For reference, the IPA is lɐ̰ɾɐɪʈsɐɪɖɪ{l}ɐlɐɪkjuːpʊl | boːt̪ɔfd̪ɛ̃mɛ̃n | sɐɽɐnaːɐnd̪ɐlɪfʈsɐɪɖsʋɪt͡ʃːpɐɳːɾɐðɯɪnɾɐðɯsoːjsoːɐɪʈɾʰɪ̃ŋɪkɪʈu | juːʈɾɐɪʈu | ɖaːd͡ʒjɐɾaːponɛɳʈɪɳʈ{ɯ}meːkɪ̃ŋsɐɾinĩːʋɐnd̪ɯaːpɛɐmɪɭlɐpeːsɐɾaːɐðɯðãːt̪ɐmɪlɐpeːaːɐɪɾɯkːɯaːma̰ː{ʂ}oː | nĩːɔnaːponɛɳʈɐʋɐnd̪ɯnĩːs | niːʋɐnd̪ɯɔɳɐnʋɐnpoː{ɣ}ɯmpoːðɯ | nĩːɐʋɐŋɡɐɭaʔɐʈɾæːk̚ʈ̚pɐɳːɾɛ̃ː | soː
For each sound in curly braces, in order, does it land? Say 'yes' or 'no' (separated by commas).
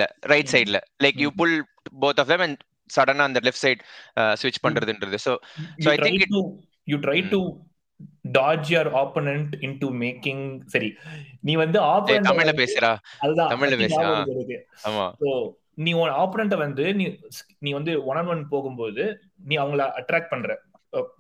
yes, no, no, yes